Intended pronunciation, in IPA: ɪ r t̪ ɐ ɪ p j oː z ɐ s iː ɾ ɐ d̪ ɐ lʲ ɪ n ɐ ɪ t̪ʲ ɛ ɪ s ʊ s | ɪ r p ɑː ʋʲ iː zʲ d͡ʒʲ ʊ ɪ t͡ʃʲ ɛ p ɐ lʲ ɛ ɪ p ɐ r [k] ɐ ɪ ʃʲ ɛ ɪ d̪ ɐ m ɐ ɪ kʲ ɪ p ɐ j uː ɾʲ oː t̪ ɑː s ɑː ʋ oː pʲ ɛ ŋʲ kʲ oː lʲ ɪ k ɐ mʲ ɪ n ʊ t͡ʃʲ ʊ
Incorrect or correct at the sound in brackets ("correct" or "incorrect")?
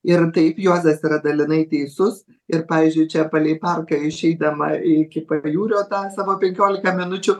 correct